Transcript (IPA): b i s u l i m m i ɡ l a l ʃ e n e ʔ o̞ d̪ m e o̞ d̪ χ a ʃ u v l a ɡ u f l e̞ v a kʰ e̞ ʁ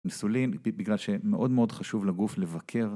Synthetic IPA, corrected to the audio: m i s u l i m b i ɡ l a l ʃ e m e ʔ o̞ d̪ m e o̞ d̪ χ a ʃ u v l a ɡ u f l e̞ v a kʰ e̞ ʁ